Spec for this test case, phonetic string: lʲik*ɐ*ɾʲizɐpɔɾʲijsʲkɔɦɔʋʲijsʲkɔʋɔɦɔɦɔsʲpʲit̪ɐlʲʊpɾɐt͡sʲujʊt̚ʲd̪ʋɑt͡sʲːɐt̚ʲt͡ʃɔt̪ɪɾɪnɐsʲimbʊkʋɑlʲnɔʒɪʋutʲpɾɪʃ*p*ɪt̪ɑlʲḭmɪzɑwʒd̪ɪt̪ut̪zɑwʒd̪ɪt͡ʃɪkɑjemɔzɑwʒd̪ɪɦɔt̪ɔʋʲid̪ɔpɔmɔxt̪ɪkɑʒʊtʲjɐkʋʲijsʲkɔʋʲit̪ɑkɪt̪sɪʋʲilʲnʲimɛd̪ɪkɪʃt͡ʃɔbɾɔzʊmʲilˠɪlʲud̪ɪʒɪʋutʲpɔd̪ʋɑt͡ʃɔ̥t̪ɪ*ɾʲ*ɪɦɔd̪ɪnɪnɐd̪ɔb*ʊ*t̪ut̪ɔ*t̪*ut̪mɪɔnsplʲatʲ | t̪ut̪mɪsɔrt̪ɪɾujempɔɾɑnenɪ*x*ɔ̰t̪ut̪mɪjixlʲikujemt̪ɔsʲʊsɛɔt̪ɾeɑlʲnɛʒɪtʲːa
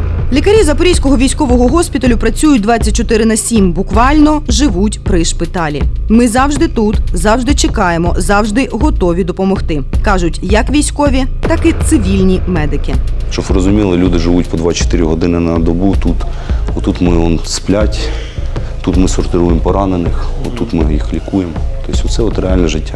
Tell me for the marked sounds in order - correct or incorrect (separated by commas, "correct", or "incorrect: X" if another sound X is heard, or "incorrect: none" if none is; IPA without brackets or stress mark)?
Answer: correct, correct, correct, incorrect: u, correct, correct